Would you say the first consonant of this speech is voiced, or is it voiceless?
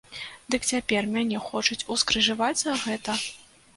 voiced